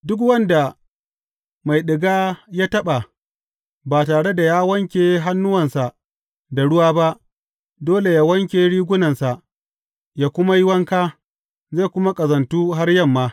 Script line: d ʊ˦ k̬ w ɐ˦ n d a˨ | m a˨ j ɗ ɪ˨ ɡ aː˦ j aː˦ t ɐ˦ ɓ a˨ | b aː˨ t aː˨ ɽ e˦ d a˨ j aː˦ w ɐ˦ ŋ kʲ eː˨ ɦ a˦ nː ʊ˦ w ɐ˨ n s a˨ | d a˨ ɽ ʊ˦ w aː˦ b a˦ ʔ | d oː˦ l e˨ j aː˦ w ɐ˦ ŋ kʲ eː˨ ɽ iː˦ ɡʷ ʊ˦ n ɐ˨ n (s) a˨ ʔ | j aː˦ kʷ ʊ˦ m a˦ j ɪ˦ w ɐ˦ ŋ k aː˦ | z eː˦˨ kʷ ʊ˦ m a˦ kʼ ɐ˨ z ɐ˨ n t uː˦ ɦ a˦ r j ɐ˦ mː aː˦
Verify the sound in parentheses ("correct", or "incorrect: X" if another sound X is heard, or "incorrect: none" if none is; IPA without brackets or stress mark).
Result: correct